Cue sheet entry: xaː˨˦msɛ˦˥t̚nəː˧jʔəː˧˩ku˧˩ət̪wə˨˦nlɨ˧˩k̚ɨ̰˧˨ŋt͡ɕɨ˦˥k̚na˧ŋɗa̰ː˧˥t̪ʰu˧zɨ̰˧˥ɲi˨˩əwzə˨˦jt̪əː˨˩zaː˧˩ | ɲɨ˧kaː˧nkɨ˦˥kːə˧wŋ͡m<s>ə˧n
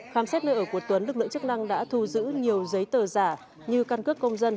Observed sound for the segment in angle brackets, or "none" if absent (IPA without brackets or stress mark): z